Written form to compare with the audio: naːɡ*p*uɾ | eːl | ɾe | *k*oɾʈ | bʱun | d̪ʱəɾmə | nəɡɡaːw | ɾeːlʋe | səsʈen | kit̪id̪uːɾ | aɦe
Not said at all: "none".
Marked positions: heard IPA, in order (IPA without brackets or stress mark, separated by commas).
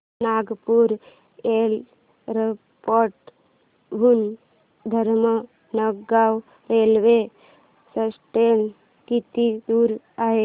p, p